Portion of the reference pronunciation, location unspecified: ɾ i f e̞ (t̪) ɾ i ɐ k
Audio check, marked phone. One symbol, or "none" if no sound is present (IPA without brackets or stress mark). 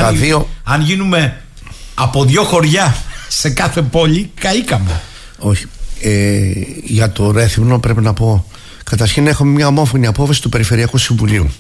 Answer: none